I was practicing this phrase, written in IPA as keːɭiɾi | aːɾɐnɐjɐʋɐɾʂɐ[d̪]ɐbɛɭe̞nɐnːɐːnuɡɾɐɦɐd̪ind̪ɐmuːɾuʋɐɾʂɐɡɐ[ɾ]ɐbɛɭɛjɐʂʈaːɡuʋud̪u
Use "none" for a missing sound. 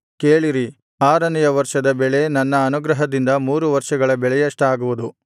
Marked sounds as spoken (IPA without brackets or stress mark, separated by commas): d̪, ɭ